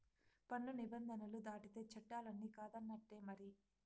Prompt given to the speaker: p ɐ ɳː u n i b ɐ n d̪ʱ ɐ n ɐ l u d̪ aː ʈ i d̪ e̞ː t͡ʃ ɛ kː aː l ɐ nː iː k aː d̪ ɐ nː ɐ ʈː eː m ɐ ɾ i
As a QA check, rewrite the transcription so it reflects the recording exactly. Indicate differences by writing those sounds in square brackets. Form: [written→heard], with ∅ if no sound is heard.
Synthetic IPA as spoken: p ɐ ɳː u n i b ɐ n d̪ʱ ɐ n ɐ l u d̪ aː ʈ i [d̪→t̪] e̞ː t͡ʃ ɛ [kː→ʈː] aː l ɐ nː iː k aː d̪ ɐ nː ɐ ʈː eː m ɐ ɾ i